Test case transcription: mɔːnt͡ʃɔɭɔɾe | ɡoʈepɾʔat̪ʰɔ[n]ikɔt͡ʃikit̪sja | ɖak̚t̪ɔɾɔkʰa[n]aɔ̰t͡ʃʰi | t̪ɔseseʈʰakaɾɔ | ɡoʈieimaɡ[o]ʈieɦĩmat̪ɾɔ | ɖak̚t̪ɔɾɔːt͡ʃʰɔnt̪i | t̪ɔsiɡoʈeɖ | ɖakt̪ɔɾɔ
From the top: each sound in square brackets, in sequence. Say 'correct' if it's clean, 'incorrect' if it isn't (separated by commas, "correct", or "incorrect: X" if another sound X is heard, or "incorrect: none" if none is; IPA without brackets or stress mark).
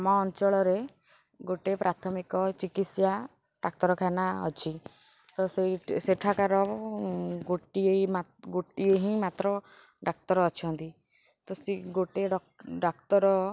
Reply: incorrect: m, correct, correct